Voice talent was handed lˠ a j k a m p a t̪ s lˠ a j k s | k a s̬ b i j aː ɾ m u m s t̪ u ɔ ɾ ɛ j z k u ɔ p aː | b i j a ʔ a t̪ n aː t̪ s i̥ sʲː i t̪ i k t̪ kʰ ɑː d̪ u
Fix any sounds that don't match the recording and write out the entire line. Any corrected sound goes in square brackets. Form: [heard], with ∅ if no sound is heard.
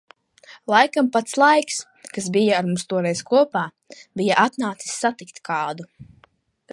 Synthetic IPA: lˠ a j k a m p a t̪ s lˠ a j k s | k a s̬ b i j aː ɾ m u m s t̪ u ɔ ɾ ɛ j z k u ɔ p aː | b i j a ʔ a t̪ n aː t̪ s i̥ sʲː [a] t̪ i k t̪ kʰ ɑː d̪ u